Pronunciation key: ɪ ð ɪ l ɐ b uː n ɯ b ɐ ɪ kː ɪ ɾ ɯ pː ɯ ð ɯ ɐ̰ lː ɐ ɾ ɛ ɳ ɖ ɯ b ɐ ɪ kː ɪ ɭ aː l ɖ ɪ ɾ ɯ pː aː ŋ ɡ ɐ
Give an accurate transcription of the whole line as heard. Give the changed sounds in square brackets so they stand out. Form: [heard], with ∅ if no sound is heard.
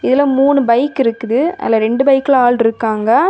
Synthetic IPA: ɪ ð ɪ l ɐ [m] uː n ɯ b ɐ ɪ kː ɪ ɾ ɯ [kː] ɯ ð ɯ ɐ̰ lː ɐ ɾ ɛ ɳ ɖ ɯ b ɐ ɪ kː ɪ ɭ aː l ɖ ɪ ɾ ɯ [kː] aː ŋ ɡ ɐ